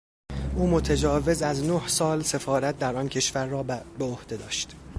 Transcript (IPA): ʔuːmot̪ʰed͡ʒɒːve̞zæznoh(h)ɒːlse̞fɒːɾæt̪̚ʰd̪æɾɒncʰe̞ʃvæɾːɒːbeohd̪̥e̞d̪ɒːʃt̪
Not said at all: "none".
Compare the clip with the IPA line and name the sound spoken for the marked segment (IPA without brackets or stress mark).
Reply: s